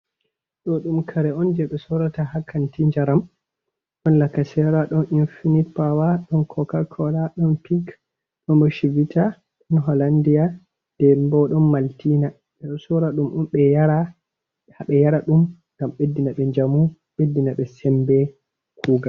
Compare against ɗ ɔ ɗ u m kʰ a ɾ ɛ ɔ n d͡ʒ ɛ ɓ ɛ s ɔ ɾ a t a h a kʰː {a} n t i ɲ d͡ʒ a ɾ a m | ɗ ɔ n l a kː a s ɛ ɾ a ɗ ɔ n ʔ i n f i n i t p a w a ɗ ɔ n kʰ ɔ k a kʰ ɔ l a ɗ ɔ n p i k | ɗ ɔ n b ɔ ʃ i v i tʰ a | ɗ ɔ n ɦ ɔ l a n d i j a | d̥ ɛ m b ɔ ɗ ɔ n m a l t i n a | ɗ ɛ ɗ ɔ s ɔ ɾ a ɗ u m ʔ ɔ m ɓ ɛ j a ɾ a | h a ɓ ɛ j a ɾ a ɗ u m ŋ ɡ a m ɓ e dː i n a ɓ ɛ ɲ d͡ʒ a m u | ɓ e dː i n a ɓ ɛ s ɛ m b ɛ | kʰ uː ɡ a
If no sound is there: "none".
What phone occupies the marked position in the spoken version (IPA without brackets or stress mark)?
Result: a